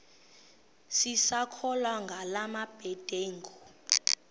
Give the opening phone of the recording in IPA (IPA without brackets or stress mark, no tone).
s